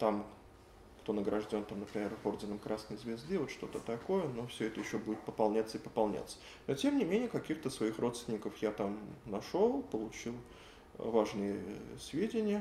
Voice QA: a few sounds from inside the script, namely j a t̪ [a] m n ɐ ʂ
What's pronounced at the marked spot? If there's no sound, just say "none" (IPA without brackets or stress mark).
a